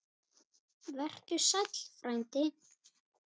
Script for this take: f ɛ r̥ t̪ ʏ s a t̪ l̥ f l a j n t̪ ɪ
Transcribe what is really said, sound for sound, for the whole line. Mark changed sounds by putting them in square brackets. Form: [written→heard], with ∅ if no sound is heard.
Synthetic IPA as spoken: [f→v] ɛ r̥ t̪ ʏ s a t̪ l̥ f [l→ɾ] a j n t̪ ɪ